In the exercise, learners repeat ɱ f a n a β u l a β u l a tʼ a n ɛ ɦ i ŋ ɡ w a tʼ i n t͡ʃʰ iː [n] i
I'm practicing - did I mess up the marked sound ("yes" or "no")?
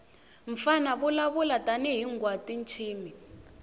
yes